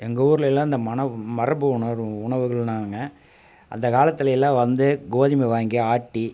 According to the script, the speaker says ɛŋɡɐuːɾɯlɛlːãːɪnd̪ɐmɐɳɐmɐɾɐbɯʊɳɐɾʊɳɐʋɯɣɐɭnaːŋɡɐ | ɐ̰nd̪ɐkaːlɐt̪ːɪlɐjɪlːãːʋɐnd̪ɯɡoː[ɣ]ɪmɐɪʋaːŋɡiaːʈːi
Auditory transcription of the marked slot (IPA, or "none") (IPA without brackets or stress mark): ð